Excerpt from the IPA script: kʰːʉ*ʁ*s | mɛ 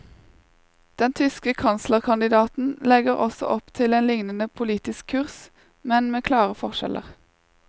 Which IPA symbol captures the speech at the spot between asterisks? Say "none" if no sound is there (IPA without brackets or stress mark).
ʁ